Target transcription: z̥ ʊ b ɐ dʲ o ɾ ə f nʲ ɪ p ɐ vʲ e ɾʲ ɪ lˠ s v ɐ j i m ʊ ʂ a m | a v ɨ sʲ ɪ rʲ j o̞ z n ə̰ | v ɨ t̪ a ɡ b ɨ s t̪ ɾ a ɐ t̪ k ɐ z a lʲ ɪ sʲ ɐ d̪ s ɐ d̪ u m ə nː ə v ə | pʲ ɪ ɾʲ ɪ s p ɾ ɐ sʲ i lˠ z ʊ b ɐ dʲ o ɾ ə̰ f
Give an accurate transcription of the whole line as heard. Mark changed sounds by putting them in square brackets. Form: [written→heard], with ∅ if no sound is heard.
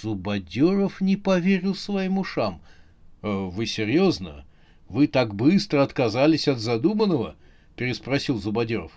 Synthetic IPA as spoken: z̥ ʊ b ɐ dʲ o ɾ ə f nʲ ɪ p ɐ vʲ e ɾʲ ɪ lˠ s v ɐ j i m ʊ ʂ a m | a v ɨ sʲ ɪ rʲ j o̞ z n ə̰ | v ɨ t̪ a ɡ b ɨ s t̪ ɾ [a→ə] ɐ t̪ k ɐ z a lʲ ɪ sʲ ɐ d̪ [s→z] ɐ d̪ u m ə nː ə v ə | pʲ ɪ ɾʲ ɪ s p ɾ ɐ sʲ i lˠ z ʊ b ɐ dʲ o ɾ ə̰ f